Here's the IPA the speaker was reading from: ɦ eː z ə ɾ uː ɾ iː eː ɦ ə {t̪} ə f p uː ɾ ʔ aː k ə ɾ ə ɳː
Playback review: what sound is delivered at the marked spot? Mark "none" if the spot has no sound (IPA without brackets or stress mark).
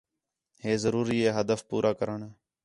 d̪